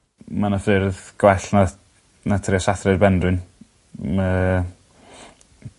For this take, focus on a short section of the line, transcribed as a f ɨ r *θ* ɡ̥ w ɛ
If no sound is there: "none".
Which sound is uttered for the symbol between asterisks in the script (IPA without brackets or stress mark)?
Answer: ð